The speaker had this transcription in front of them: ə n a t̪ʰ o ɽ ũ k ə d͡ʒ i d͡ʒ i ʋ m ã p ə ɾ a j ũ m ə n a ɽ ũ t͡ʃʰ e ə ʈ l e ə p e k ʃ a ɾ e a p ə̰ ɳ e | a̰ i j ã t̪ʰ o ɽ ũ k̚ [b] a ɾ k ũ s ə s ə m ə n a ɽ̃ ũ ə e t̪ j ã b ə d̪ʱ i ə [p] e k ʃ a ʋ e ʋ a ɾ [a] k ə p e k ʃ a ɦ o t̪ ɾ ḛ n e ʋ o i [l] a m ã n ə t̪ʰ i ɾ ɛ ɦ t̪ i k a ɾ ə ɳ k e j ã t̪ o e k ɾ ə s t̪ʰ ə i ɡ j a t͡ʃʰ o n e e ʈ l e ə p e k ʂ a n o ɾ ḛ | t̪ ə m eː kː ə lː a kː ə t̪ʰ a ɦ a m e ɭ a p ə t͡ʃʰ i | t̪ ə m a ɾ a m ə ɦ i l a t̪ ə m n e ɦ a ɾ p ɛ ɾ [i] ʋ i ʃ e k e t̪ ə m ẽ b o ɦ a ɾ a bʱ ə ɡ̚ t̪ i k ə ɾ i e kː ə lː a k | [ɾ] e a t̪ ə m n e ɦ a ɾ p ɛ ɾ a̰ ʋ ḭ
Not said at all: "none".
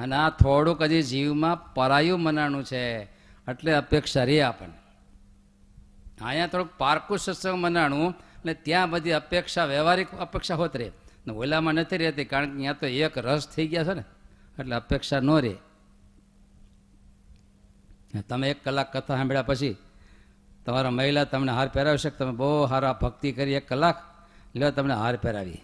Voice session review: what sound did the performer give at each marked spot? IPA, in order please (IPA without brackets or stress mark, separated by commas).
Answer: p, p, i, l, a, l